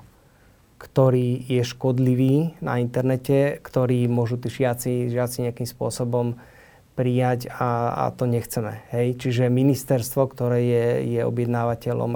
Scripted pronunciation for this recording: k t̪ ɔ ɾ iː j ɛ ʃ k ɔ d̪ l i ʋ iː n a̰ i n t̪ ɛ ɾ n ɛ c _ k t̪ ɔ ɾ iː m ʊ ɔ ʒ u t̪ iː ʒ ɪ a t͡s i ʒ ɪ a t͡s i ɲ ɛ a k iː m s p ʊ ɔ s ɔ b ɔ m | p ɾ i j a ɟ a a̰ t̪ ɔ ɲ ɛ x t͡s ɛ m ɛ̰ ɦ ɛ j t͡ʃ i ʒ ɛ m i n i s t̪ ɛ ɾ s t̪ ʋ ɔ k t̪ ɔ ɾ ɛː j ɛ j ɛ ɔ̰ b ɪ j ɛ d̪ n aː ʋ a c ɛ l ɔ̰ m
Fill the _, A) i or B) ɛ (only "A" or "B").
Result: B